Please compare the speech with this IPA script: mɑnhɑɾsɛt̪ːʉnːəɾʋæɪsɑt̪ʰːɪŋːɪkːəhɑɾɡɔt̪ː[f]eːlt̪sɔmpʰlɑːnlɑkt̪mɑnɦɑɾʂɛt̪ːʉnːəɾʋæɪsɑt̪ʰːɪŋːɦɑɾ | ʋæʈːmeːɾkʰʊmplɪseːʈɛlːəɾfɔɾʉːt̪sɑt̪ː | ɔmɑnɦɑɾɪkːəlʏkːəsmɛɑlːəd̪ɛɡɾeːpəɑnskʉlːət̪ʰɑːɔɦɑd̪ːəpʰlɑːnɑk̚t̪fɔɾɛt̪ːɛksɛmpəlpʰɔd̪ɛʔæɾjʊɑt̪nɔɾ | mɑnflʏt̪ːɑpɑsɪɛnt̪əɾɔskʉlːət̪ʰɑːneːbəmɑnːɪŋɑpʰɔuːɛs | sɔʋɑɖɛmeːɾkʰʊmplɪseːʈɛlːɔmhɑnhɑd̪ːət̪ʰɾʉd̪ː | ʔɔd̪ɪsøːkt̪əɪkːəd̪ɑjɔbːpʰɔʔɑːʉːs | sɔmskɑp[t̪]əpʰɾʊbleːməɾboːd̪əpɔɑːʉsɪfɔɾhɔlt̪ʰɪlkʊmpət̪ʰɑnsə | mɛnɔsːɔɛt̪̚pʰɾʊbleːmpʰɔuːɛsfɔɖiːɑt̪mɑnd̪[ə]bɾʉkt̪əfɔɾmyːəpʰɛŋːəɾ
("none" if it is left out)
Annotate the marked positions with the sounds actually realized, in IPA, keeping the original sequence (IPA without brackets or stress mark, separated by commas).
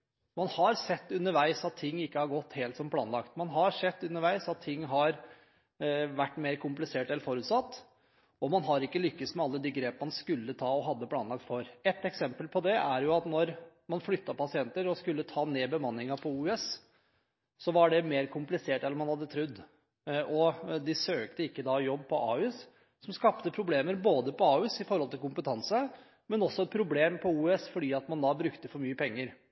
h, t̪, ɑ